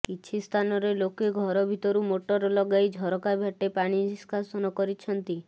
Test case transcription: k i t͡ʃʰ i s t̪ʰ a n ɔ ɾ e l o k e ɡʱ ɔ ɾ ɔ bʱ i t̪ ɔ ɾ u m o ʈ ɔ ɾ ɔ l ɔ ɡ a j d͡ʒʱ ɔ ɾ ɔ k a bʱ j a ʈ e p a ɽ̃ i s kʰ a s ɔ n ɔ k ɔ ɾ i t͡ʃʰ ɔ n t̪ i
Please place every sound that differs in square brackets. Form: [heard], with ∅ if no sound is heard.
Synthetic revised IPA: k i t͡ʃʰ i s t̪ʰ a n ɔ ɾ e l o k e ɡʱ ɔ ɾ ɔ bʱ i t̪ ɔ ɾ u m o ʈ ɔ ɾ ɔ l ɔ ɡ a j d͡ʒʱ ɔ ɾ ɔ k a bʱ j a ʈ e p a ɽ̃ i s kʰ a s ɔ n ɔ k ɔ ɾ i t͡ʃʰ ɔ n t̪ i